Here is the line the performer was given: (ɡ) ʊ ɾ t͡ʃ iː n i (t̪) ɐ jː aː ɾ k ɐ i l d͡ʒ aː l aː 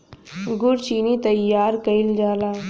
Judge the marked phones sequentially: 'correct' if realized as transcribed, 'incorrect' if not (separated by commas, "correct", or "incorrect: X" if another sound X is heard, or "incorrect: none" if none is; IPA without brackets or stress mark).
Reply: correct, correct